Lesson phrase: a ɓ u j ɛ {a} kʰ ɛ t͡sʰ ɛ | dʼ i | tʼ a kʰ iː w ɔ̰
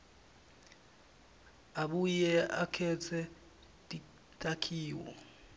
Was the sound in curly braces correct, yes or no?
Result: yes